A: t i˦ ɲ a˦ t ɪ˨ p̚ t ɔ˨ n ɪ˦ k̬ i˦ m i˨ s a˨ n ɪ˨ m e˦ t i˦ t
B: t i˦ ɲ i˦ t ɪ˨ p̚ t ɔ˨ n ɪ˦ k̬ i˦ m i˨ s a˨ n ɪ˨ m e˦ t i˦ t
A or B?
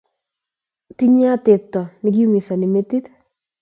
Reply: A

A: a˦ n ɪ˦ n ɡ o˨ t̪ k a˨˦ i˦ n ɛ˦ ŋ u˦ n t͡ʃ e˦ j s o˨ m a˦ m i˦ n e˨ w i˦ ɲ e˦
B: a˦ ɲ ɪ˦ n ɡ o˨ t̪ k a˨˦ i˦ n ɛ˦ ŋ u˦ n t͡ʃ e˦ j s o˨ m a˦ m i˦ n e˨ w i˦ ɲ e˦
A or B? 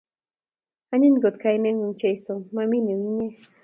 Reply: B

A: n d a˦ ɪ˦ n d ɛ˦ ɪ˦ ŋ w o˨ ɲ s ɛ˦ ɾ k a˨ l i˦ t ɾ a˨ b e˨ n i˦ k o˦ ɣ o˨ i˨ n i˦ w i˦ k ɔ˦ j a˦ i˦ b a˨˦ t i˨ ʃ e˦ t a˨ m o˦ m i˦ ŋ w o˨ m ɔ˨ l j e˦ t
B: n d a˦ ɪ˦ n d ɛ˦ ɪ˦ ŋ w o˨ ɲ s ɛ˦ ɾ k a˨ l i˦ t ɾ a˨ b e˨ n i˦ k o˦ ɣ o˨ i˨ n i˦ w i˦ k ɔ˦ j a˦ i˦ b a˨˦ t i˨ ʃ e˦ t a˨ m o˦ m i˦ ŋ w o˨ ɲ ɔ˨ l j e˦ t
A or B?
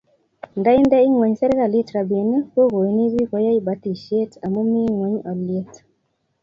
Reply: B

